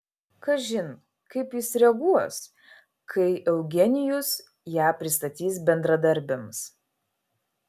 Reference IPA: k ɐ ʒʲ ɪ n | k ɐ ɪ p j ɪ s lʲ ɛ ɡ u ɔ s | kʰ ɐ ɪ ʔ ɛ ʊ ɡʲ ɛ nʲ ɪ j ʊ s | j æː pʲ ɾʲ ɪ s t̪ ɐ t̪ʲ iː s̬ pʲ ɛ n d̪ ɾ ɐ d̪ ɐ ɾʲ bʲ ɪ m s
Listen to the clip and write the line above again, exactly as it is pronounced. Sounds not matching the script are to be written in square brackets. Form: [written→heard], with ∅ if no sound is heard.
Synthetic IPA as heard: k ɐ ʒʲ ɪ n | k ɐ ɪ p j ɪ s [lʲ→ɾʲ] ɛ ɡ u ɔ s | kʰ ɐ ɪ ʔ ɛ ʊ ɡʲ ɛ nʲ ɪ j ʊ s | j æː pʲ ɾʲ ɪ s t̪ ɐ t̪ʲ iː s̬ [pʲ→bʲ] ɛ n d̪ ɾ ɐ d̪ ɐ ɾʲ bʲ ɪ m s